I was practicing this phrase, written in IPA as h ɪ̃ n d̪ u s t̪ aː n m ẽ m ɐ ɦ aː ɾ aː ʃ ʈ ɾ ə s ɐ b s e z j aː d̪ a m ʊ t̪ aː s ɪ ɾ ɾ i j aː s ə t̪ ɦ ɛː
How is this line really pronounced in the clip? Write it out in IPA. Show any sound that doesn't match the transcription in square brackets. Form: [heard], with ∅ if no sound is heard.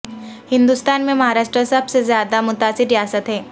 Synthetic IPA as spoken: h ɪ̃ n d̪ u s t̪ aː n m ẽ m ɐ ɦ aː ɾ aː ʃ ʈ ɾ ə s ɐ b s e z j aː d̪ a m ʊ t̪ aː s ɪ ɾ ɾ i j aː s ə t̪ ɦ ɛː